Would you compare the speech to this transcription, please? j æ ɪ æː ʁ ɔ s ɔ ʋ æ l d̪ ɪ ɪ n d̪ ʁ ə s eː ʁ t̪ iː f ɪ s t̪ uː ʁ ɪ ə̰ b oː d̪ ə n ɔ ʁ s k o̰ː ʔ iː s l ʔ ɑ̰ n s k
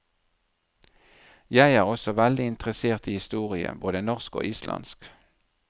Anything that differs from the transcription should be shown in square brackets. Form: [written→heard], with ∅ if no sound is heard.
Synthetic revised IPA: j æ ɪ æː ʁ ɔ s ɔ ʋ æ l d̪ ɪ ɪ n [d̪→t̪] ʁ ə s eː ʁ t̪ iː [f→h] ɪ s t̪ uː ʁ ɪ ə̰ b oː d̪ ə n ɔ ʁ s k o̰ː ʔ iː s l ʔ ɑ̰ n s k